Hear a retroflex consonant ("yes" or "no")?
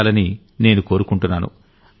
yes